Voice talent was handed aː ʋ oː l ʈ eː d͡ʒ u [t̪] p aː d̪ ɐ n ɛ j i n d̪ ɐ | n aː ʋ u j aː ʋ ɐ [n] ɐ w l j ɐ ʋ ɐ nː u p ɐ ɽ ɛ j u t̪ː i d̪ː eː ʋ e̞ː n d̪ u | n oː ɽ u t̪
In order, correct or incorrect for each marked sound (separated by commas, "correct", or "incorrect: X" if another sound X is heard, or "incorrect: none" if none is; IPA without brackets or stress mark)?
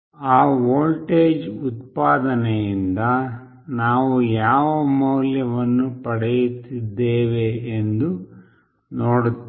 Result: correct, incorrect: m